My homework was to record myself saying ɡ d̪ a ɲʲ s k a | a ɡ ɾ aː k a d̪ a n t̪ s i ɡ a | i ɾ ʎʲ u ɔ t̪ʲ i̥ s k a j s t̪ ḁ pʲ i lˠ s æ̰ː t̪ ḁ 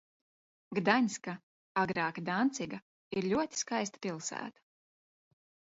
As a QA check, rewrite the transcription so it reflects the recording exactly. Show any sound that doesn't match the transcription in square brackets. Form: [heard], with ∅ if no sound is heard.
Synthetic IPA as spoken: ɡ d̪ a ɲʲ s k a | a ɡ ɾ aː k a d̪ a n t̪ s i ɡ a | i ɾ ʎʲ u ɔ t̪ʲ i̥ s k a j s t̪ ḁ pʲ i lˠ s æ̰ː t̪ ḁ